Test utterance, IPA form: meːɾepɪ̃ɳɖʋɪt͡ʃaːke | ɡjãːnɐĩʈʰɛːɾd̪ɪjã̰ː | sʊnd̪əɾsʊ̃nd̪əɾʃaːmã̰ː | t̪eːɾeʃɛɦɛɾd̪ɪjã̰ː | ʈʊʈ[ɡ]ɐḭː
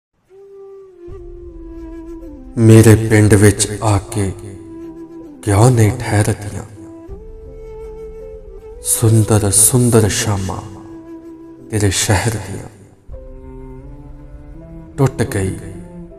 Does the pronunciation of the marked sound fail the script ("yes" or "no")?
no